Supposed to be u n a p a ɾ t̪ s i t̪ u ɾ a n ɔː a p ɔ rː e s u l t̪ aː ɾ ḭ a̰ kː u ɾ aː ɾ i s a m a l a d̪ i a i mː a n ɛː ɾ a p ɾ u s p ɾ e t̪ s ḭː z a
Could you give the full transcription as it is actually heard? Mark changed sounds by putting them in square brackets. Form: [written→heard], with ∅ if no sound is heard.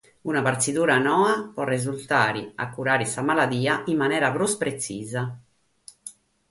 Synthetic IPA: u n a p a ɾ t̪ s i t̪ [u→uː] ɾ a n ɔː a p ɔ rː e [s→z] u l t̪ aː ɾ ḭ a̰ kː u ɾ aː ɾ i s a m a l a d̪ [i→iː] a i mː a n ɛː ɾ a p ɾ u s p ɾ e t̪ s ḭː z a